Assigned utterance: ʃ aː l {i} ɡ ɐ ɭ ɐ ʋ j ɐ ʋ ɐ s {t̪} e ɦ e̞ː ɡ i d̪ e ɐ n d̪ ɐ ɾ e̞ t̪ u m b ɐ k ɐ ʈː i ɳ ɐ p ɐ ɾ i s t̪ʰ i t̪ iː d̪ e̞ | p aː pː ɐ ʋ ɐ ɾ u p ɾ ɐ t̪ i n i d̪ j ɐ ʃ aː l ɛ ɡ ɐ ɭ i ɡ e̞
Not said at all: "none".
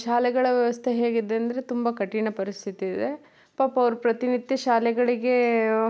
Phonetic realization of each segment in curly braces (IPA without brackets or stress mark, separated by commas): ɛ, t̪ʰ